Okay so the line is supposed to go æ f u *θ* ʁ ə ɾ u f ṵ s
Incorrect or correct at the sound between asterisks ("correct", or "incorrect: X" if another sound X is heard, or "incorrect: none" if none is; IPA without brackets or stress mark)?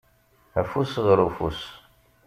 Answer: incorrect: s